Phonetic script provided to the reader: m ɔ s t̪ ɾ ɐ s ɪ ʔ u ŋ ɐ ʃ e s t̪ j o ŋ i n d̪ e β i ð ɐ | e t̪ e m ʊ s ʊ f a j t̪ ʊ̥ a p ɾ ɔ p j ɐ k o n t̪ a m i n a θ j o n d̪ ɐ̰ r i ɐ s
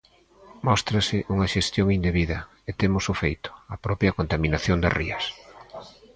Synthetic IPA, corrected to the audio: m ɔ s t̪ ɾ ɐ s ɪ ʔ u ŋ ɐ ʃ e s t̪ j o ŋ i n d̪ e β i ð ɐ | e t̪ e m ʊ s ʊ f e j t̪ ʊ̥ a p ɾ ɔ p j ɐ k o n t̪ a m i n a θ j o n d̪ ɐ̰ r i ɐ s